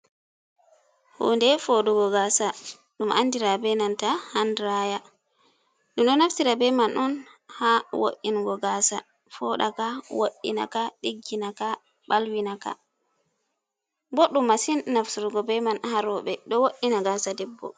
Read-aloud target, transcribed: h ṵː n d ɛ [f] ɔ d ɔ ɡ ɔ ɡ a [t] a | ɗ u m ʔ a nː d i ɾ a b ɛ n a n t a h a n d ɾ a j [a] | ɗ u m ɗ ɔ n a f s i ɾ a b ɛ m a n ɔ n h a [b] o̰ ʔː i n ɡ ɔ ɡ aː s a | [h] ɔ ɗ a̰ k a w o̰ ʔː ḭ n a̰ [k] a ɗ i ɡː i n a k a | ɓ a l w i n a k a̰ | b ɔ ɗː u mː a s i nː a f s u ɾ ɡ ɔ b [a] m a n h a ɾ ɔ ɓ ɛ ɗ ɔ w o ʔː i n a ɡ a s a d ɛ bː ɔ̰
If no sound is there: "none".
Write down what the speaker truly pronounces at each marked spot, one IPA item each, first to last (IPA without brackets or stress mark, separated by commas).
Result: f, s, a, w, f, k, ɛ